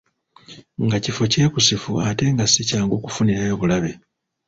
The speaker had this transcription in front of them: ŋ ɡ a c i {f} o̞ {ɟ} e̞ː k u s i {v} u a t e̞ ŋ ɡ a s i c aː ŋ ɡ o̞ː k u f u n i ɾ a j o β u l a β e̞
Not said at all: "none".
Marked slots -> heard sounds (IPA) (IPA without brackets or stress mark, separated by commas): f, c, f